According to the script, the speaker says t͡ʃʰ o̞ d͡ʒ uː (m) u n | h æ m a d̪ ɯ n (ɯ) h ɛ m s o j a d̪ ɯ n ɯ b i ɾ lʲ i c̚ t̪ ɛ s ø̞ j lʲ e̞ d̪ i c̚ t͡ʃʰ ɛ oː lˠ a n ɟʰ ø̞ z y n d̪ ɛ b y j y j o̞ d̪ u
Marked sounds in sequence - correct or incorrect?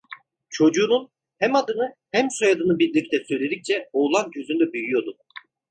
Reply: incorrect, correct

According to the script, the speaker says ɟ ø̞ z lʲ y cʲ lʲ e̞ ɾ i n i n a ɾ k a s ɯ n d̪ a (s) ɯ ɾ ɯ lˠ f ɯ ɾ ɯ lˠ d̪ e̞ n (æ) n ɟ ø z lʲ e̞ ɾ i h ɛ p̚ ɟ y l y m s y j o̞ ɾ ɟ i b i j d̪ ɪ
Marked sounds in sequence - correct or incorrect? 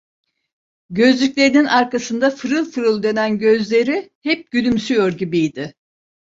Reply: incorrect, correct

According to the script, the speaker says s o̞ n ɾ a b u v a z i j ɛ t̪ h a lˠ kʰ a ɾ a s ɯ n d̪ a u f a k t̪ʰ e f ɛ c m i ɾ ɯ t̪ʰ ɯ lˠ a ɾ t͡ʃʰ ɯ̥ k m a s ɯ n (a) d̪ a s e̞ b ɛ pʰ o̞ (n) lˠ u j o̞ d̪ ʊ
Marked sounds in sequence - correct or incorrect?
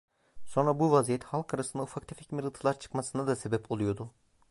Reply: correct, incorrect

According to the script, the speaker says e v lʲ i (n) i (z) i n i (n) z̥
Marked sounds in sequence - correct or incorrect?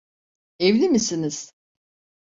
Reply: incorrect, incorrect, incorrect

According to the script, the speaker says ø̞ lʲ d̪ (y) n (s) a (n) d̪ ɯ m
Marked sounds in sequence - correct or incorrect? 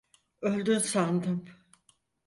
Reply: correct, correct, correct

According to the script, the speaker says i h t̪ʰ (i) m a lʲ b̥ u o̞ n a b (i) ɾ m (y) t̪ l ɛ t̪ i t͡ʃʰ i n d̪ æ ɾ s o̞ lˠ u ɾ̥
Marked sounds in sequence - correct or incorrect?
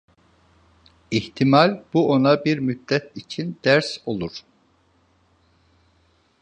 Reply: correct, correct, correct

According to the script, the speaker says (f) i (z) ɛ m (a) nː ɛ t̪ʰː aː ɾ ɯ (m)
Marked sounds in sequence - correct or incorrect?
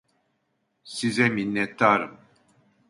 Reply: incorrect, correct, incorrect, correct

